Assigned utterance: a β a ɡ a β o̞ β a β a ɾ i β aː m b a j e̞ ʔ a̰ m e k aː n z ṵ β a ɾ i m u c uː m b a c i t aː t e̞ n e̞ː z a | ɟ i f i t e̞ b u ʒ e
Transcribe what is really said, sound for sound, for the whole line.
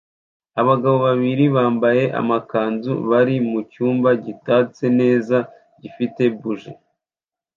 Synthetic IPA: a β a ɡ a β o̞ β a β i ɾ i β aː m b a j e̞ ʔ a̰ m a k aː n z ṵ β a ɾ i m u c uː m b a ɟ i t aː t͡s e̞ n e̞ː z a | ɟ i f i t e̞ b u ʒ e